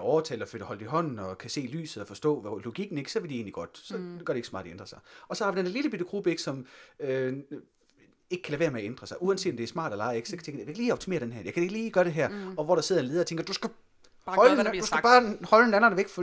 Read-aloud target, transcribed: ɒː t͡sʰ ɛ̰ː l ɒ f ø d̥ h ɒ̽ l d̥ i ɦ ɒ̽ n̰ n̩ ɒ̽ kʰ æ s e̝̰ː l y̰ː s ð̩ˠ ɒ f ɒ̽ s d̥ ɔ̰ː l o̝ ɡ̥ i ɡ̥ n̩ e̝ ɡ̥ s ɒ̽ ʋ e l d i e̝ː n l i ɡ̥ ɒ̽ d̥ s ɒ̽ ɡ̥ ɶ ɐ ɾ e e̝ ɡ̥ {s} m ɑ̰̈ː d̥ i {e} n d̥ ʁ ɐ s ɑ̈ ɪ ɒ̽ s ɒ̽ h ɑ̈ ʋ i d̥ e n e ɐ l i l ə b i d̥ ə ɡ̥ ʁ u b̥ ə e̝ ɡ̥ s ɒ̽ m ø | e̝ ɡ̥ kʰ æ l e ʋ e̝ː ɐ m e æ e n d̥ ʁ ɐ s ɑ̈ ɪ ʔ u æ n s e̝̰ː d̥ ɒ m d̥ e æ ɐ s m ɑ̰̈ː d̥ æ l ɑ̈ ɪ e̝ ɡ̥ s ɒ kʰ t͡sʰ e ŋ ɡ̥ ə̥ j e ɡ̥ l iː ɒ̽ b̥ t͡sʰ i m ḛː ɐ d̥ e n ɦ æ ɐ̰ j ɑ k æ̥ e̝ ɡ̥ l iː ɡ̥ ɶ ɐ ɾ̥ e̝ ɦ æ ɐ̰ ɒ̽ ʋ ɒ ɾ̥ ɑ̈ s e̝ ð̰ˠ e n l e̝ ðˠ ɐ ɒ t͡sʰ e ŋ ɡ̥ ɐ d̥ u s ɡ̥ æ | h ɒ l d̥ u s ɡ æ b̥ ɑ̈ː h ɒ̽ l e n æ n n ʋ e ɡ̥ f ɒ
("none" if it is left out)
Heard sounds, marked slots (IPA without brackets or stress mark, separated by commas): s, e